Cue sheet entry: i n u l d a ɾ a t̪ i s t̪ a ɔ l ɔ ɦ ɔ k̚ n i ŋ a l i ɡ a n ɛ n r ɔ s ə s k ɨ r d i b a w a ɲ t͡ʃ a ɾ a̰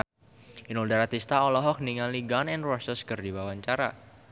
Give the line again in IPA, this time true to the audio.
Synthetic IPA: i n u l d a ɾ a t̪ i s t̪ a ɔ l ɔ ɦ ɔ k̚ n i ŋ a l i ɡ a n ɛ n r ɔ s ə s k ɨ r d i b a w a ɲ t͡ʃ a ɾ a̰

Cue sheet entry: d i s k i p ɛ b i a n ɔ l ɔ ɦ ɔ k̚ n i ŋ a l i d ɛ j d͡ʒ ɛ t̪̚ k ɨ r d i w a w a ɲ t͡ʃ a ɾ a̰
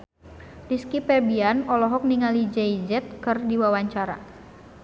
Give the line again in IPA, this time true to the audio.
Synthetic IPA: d i s k i p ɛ b i a n ɔ l ɔ ɦ ɔ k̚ n i ŋ a l i d͡ʒ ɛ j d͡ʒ ɛ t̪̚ k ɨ r d i w a w a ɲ t͡ʃ a ɾ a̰

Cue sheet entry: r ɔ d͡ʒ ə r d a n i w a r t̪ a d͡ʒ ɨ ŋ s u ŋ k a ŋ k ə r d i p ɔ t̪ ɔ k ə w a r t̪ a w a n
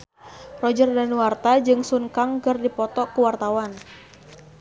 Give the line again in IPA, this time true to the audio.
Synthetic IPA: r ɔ d͡ʒ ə r d a n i w a r t̪ a d͡ʒ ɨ ŋ s u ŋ k a ŋ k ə r d i p ɔ t̪ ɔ k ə w a r t̪ a w a n

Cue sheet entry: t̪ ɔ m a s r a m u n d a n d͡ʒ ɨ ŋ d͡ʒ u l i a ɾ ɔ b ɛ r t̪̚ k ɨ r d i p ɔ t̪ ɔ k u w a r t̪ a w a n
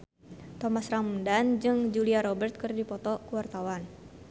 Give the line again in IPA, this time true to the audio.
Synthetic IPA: t̪ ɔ m a s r a m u n d a n d͡ʒ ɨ ŋ d͡ʒ u l i a ɾ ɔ b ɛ r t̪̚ k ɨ r d i p ɔ t̪ ɔ k u w a r t̪ a w a n

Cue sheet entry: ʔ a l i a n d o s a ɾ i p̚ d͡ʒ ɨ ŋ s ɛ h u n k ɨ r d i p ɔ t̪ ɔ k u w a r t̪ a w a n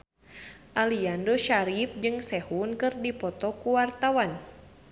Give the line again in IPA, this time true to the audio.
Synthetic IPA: ʔ a l i a n d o ʃ a ɾ i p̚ d͡ʒ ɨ ŋ s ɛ h u n k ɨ r d i p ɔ t̪ ɔ k u w a r t̪ a w a n

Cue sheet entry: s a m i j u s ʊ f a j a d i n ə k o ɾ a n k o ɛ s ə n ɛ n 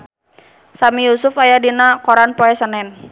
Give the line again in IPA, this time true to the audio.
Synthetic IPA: s a m i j u s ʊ f a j a d i n a k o ɾ a n p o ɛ s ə n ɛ n

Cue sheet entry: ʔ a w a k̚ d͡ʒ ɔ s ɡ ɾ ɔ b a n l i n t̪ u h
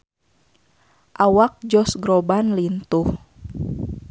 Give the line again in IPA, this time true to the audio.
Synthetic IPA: ʔ a w a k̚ d͡ʒ ɔ s ɡ ɾ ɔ b a n l i n t̪ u h

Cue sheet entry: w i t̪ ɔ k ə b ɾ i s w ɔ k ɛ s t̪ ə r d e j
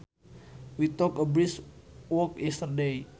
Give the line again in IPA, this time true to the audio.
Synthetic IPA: w i t̪ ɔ k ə b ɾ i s w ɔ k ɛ s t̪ ə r d e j

